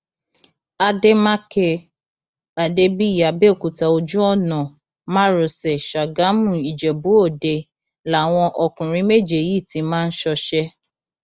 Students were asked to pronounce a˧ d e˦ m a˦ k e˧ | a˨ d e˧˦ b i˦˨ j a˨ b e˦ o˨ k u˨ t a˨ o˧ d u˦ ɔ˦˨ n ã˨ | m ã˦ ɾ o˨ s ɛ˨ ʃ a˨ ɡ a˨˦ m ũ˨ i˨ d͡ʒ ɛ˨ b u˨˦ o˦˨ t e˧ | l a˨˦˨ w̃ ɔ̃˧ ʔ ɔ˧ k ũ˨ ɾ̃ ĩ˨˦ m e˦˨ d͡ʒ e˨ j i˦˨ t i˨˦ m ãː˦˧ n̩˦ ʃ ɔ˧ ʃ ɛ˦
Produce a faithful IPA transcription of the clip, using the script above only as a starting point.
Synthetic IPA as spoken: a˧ d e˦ m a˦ k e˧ | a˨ d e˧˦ b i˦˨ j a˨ b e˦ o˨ k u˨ t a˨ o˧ d͡ʒ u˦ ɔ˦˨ n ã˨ | m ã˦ ɾ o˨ s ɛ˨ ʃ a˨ ɡ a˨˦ m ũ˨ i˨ d͡ʒ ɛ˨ b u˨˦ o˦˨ d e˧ | l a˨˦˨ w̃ ɔ̃˧ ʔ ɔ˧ k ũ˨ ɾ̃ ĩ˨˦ m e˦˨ d͡ʒ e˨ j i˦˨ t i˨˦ m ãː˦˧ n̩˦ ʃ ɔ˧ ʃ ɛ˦

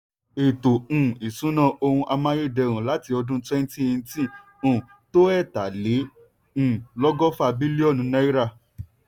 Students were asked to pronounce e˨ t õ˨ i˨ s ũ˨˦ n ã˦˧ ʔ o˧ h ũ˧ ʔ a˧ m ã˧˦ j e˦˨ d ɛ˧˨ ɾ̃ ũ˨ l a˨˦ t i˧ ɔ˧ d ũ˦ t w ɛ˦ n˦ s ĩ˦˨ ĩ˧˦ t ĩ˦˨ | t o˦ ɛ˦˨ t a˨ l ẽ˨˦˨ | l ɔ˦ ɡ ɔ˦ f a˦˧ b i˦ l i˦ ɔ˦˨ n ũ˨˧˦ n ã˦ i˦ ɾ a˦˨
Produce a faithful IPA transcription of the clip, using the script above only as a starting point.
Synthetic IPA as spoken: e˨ t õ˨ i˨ s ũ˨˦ n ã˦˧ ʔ o˧ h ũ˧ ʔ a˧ m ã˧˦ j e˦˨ d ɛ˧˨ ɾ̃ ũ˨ l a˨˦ t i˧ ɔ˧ d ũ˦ t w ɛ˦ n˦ t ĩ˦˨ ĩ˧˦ t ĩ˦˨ | t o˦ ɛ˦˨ t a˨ l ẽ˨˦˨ | l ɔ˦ ɡ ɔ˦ f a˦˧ b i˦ l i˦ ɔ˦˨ n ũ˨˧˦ n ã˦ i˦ ɾ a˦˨

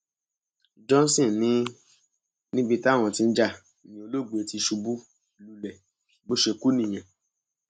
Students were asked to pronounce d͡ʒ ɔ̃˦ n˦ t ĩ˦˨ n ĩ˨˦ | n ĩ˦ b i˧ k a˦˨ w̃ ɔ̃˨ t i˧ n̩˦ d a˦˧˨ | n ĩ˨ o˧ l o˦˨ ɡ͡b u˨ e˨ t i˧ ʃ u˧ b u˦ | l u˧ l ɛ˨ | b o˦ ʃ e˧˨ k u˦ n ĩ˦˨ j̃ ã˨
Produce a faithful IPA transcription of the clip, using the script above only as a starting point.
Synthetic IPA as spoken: d͡ʒ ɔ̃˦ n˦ s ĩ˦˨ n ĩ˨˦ | n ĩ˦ b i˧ t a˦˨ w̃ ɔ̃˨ t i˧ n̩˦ d͡ʒ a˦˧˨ | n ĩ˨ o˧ l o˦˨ ɡ͡b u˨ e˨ t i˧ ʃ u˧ b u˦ | l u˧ l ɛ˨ | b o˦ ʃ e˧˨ k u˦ n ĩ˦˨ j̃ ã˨

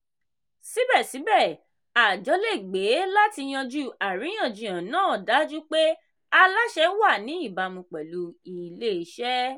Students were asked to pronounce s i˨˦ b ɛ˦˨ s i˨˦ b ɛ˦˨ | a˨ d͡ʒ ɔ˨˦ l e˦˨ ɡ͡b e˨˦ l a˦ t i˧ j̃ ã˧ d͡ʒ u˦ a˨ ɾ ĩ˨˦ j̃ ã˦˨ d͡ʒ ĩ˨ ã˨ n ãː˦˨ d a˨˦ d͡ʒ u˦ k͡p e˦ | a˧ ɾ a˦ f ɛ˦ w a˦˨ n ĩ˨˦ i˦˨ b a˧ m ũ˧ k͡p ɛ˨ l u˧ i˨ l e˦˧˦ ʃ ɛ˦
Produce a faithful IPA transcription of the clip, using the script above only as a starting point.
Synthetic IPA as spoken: s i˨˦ b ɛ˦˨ s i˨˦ b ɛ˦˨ | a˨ d͡ʒ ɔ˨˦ l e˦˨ ɡ͡b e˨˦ l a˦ t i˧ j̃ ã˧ d͡ʒ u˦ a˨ ɾ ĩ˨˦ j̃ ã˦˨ d͡ʒ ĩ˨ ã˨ n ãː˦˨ d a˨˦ d͡ʒ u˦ k͡p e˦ | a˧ l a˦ ʃ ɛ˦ w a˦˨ n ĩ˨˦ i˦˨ b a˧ m ũ˧ k͡p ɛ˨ l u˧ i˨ l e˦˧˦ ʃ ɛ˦

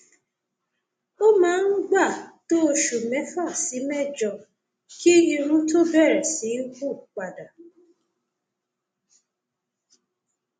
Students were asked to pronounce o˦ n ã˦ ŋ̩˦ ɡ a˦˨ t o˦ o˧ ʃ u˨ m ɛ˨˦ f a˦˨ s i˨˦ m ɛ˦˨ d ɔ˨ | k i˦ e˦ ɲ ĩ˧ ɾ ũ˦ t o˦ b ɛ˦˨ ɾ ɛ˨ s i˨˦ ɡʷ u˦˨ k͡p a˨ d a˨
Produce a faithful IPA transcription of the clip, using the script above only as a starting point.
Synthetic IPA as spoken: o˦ m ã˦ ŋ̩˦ ɡ͡b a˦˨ t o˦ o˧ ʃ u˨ m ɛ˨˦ f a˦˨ s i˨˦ m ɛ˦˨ d͡ʒ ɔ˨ | k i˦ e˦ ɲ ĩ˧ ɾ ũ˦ t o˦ b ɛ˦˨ ɾ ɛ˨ s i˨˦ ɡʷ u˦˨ k͡p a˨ d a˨

